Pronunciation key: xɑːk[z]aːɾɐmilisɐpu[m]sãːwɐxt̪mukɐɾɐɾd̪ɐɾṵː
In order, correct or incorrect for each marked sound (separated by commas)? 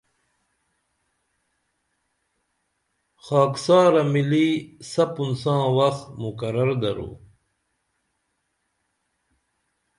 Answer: incorrect, incorrect